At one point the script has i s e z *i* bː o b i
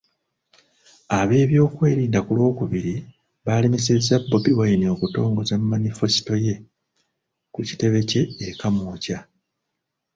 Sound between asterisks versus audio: incorrect: a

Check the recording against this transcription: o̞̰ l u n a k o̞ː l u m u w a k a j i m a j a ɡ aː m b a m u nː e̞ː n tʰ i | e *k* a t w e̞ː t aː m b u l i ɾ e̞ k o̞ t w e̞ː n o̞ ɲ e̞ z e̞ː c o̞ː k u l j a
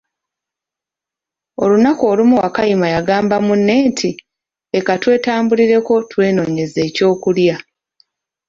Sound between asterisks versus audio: correct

